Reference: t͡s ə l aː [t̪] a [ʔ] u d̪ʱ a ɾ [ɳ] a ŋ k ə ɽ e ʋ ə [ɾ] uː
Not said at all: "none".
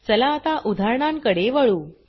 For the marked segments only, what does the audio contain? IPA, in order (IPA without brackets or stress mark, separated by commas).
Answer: t̪, ʔ, ɳ, ɭ